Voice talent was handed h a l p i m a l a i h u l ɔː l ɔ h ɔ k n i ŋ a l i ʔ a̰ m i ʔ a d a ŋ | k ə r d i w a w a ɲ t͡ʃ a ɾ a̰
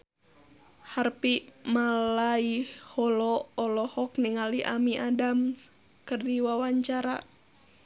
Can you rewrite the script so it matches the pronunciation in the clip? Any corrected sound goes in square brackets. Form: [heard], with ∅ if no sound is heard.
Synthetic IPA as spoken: h a [r] p i m a l a i h [ɔ] l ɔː l ɔ h ɔ k n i ŋ a l i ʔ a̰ m i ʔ a d a [m] | k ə r d i w a w a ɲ t͡ʃ a ɾ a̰